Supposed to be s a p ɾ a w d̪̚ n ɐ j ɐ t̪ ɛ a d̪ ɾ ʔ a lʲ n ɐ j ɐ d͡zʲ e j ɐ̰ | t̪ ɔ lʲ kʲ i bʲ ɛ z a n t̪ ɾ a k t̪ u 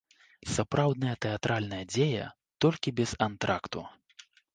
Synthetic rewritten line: s a p ɾ a w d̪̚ n ɐ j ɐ t̪ ɛ a t̪ ɾ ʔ a lʲ n ɐ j ɐ d͡zʲ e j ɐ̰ | t̪ ɔ lʲ kʲ i bʲ ɛ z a n t̪ ɾ a k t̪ u